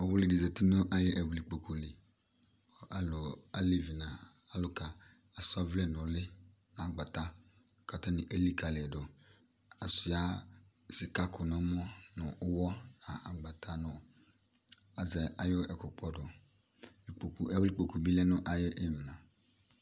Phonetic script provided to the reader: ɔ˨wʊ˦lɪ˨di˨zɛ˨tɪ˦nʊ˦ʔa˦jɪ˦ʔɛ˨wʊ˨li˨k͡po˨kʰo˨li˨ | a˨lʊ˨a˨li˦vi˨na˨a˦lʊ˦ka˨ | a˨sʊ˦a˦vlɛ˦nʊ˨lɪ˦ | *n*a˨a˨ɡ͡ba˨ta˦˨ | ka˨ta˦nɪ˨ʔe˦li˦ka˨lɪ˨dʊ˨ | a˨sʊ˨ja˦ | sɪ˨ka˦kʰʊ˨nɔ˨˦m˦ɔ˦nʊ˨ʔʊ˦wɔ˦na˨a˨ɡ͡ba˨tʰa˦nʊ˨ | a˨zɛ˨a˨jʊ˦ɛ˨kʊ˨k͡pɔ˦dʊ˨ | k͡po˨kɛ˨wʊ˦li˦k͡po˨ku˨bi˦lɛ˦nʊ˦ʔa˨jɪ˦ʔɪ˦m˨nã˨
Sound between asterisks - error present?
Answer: no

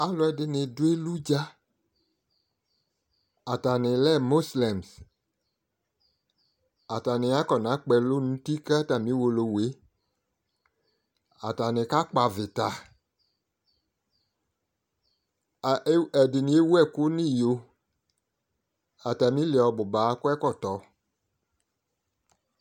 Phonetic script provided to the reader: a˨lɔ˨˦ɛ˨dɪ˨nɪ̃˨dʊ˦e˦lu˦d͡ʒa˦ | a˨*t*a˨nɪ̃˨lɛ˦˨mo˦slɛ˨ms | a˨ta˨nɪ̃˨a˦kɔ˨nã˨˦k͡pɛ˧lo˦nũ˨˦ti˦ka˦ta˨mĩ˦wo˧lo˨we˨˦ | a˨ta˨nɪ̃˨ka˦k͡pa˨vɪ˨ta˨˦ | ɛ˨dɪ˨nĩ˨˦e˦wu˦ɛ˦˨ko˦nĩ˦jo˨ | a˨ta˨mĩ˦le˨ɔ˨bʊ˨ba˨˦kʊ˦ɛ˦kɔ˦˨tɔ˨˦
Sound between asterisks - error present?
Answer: no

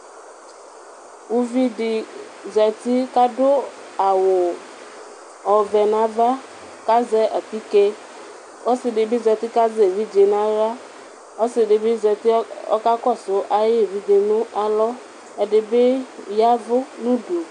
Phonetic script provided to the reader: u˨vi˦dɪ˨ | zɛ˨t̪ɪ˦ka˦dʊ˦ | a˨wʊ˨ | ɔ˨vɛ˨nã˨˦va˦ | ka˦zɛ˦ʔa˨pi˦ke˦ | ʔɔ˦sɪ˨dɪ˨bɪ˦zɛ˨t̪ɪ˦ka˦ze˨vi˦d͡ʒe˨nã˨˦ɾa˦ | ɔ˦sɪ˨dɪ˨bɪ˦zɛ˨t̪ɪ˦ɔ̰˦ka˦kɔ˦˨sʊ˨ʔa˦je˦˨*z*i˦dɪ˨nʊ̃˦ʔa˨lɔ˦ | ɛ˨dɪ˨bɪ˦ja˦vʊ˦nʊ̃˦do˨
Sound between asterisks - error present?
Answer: yes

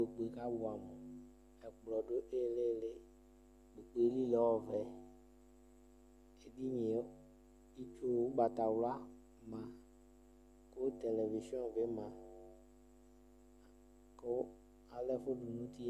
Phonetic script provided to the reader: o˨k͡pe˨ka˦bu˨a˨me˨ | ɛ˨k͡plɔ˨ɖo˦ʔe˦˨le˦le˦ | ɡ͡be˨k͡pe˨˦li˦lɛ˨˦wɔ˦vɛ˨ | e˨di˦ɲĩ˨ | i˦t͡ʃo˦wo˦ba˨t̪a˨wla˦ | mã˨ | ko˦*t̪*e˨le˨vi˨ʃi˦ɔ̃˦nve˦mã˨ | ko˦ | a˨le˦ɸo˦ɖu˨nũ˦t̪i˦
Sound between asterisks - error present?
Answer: no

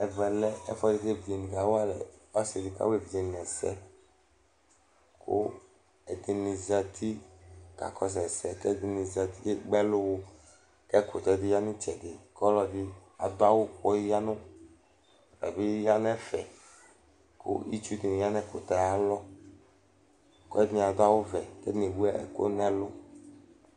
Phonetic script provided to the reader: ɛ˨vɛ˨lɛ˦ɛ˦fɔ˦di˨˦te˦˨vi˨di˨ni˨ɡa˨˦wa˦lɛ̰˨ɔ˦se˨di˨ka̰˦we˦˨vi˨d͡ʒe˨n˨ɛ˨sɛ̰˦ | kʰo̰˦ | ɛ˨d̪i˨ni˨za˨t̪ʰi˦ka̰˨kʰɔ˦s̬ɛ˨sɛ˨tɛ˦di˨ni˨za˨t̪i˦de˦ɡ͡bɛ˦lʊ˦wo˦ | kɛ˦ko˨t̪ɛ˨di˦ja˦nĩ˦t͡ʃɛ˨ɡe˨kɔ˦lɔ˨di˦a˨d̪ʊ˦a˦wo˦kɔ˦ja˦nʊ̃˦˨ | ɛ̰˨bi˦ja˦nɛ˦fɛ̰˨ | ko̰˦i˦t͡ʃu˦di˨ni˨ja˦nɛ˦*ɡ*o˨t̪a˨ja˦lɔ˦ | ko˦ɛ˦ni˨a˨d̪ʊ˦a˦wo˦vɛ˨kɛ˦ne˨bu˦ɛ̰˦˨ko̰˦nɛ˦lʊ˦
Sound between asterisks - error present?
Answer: yes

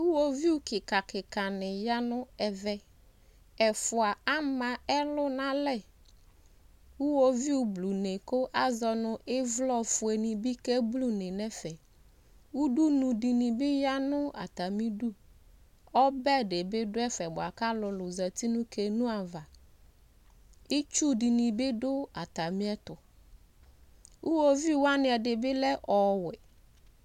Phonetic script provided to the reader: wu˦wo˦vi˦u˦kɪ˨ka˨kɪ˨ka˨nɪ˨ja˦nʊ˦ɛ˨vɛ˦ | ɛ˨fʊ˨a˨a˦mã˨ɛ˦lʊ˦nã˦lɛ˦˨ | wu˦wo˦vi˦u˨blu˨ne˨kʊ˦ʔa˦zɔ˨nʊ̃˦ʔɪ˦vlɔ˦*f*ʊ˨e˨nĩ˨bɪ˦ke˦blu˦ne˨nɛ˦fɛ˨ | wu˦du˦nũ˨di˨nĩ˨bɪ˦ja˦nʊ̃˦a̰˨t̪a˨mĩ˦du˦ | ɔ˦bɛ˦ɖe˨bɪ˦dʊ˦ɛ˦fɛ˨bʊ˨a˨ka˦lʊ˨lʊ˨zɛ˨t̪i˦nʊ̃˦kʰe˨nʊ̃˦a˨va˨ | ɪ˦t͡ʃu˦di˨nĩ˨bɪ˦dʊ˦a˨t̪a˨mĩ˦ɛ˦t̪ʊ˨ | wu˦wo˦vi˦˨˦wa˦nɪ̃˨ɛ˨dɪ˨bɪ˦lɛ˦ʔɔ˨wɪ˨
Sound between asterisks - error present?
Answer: no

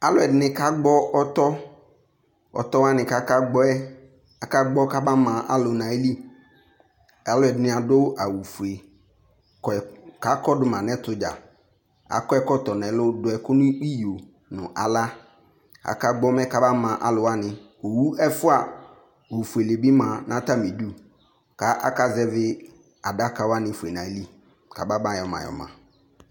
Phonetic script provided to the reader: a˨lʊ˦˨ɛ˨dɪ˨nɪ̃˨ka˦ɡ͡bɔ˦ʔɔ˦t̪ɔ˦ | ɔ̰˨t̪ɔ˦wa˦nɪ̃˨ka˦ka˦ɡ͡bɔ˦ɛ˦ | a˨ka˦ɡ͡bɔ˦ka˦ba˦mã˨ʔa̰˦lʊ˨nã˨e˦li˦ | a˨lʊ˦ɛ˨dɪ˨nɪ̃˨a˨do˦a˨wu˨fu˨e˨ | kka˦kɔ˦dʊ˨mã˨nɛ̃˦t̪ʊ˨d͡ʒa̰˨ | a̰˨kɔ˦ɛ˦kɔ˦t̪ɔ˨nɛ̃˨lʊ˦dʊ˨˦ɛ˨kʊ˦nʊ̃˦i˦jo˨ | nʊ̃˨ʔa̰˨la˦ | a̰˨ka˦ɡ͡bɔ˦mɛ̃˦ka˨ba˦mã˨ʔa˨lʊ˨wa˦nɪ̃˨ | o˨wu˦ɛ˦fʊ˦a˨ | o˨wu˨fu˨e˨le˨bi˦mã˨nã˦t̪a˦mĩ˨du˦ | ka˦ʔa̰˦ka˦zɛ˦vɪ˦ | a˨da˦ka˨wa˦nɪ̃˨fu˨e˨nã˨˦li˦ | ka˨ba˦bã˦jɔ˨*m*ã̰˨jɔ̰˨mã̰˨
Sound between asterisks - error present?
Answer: no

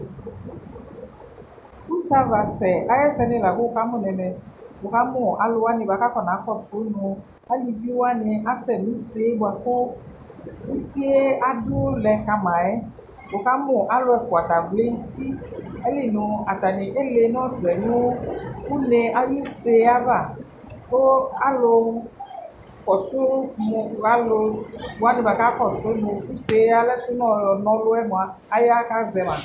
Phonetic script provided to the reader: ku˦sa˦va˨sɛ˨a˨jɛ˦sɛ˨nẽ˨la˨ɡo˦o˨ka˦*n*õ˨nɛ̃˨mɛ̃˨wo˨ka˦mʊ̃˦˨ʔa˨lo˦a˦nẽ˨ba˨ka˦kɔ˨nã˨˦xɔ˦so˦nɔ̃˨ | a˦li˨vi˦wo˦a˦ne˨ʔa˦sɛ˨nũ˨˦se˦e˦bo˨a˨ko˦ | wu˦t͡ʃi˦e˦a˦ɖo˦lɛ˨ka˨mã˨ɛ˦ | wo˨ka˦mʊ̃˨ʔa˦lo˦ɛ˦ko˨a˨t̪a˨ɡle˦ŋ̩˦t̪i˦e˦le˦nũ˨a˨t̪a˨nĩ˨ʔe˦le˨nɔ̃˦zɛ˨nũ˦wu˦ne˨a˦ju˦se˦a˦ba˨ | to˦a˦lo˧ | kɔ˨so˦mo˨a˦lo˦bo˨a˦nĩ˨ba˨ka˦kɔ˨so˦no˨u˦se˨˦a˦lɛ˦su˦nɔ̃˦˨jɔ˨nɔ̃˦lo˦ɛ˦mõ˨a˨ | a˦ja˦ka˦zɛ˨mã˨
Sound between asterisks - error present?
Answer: yes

